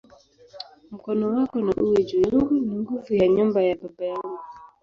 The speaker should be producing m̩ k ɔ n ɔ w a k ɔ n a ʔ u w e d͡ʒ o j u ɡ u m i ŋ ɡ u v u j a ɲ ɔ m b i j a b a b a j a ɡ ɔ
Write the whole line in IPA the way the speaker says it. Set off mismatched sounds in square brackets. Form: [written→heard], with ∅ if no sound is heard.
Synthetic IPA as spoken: m̩ k ɔ n ɔ w a k ɔ n a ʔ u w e d͡ʒ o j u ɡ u [m→n] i ŋ ɡ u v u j a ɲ ɔ m b [i→a] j a b a b a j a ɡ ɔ